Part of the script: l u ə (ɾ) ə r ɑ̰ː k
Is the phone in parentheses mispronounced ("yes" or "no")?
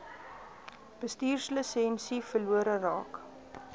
no